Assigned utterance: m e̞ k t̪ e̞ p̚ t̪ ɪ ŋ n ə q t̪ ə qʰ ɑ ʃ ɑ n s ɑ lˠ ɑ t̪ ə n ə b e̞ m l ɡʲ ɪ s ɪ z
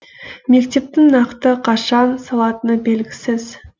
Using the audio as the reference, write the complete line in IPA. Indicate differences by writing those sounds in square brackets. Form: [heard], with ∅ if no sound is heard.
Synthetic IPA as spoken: m e̞ k t̪ e̞ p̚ t̪ ɪ ŋ n [ɑ] q t̪ ə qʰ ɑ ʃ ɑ n s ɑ lˠ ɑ t̪ ə n ə b e̞ [∅] l ɡʲ ɪ s ɪ z